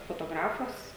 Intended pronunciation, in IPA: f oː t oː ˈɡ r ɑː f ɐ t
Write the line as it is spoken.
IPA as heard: f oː t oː ˈɡ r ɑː f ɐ s

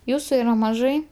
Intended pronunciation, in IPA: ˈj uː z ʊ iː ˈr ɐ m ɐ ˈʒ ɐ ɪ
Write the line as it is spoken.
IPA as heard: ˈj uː s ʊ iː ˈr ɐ m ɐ ˈʒ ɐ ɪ

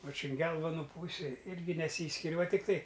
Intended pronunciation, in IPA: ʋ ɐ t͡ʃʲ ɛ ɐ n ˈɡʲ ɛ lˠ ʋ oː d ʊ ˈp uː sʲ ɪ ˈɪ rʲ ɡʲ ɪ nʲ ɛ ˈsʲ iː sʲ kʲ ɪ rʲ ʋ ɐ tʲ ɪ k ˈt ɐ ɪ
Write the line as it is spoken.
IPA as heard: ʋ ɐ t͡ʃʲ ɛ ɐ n ˈɡʲ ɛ lˠ ʋ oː n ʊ ˈp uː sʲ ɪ ˈɪ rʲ ɡʲ ɪ nʲ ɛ ˈsʲ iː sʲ kʲ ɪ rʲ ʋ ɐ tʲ ɪ k ˈt ɐ ɪ

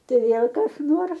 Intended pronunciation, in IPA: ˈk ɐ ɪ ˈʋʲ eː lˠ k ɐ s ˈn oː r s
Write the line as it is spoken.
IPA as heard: ˈt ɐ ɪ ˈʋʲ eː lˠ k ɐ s ˈn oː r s

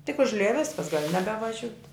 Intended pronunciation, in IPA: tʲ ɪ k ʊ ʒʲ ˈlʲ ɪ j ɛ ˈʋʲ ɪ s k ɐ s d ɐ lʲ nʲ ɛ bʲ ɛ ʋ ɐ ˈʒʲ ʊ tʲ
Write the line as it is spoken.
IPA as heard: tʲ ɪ k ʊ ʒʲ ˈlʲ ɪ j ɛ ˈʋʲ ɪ s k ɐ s ɡ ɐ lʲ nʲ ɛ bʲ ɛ ʋ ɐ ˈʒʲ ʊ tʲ

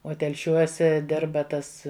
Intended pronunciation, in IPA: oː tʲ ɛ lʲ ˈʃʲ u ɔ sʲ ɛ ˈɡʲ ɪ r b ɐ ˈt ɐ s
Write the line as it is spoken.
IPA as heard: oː tʲ ɛ lʲ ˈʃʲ u ɔ sʲ ɛ ˈdʲ ɪ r b ɐ ˈt ɐ s

